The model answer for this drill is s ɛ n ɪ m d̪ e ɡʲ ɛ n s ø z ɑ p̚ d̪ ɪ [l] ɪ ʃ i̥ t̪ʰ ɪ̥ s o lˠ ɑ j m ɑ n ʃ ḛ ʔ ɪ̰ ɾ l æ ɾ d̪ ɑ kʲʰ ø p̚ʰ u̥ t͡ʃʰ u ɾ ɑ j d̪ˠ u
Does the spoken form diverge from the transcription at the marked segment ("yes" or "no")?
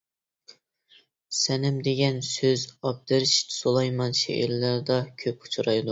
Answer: yes